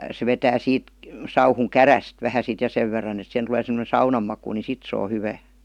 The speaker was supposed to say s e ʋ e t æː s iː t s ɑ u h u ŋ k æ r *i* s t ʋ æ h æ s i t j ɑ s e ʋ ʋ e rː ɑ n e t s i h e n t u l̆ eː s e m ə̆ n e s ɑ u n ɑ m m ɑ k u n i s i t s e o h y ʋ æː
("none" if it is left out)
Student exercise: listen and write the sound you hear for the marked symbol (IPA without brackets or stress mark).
æ